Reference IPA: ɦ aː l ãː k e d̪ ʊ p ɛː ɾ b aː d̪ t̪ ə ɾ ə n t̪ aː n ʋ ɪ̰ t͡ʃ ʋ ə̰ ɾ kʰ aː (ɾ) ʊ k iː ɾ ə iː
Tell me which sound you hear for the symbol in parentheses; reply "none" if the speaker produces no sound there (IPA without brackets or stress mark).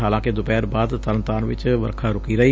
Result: ɾ